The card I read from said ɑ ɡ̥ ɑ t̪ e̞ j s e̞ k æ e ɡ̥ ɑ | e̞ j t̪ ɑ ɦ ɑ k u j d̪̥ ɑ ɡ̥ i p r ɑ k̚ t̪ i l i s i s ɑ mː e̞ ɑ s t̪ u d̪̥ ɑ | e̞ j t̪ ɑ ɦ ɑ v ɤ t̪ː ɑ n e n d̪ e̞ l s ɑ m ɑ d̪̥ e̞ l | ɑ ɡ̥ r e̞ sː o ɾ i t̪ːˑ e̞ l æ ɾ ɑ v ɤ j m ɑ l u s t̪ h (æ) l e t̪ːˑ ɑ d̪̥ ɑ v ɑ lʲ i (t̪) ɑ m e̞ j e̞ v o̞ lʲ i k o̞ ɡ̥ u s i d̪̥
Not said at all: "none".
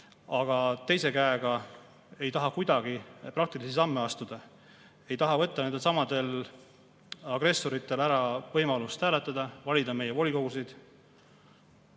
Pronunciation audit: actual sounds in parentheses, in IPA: æː, d̪

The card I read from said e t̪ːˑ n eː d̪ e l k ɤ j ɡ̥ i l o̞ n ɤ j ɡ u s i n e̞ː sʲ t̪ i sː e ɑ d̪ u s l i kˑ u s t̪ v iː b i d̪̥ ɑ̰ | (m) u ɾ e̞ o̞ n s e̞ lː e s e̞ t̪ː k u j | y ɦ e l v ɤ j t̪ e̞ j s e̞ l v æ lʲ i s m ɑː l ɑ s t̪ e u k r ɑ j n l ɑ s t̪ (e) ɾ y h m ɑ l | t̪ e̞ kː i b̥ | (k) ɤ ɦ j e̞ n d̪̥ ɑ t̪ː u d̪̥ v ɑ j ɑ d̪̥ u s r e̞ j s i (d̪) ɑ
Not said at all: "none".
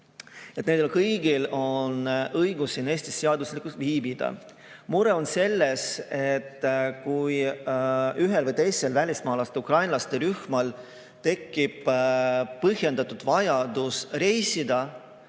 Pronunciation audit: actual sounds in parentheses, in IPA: m, e, p, d̪

